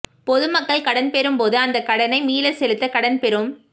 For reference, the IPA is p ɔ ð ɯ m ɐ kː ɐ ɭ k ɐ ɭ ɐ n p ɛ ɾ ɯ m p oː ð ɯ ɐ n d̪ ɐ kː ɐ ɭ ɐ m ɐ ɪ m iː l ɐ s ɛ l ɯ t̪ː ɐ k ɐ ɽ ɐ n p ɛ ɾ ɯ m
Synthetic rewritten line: p ɔ ð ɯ m ɐ kː ɐ ɭ k ɐ ɽ ɐ n p ɛ ɾ ɯ m p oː ð ɯ ɐ n d̪ ɐ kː ɐ ɽ ɐ n ɐ ɪ m iː l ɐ s ɛ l ɯ t̪ː ɐ k ɐ ɽ ɐ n p ɛ ɾ ɯ m